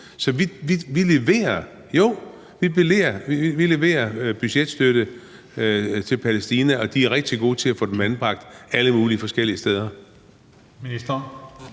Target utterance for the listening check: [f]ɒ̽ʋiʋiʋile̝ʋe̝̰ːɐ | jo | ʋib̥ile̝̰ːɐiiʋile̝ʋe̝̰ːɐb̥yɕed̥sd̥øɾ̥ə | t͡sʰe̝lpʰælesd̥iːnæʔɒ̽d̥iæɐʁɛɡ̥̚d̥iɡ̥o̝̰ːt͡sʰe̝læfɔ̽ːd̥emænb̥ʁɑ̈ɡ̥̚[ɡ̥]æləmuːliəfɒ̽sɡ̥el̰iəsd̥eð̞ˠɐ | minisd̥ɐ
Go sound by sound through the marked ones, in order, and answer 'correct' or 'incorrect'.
incorrect: s, incorrect: d̥

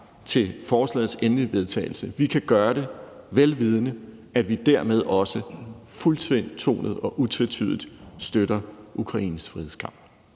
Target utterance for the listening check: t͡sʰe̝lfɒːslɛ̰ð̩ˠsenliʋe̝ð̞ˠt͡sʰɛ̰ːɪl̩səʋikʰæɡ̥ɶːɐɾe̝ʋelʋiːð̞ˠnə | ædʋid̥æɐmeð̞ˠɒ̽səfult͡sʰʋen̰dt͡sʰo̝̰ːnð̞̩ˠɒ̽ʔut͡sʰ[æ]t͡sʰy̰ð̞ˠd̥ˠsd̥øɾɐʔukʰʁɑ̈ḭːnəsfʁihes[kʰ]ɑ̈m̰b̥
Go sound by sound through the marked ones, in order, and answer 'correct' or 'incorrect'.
incorrect: e, correct

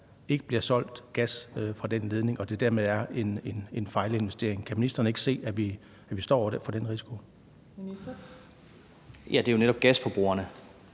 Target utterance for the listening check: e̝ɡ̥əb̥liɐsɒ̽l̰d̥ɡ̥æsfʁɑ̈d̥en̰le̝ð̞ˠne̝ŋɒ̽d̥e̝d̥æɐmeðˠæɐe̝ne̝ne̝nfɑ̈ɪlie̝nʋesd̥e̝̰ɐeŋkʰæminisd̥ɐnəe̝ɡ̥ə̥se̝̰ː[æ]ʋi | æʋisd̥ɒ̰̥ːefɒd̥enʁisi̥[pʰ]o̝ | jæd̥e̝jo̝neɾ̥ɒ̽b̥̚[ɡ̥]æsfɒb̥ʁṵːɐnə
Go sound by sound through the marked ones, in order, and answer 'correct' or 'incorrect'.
correct, incorrect: kʰ, correct

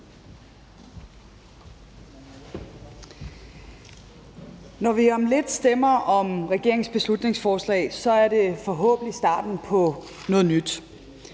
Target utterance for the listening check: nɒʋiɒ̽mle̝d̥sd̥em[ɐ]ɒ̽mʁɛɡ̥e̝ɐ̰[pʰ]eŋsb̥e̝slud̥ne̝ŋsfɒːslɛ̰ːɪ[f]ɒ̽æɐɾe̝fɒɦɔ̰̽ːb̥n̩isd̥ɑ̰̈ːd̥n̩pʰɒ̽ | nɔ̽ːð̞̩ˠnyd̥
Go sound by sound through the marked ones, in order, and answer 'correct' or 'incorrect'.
correct, incorrect: none, incorrect: s

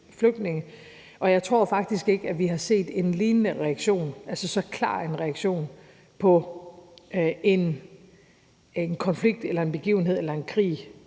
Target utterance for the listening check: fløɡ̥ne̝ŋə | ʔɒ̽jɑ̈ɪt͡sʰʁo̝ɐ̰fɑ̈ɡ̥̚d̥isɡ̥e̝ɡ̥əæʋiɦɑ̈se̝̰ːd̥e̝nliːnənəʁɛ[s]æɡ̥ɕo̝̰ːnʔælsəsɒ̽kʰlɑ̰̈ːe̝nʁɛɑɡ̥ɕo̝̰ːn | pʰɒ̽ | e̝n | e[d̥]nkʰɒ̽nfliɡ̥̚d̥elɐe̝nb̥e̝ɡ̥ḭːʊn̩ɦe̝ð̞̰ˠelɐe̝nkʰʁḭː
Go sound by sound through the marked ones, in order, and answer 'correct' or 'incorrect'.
incorrect: none, incorrect: none

